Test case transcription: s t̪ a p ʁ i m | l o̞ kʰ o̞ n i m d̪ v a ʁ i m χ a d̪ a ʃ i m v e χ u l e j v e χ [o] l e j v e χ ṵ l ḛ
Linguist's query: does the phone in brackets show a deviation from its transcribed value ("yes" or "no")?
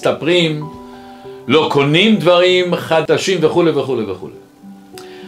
yes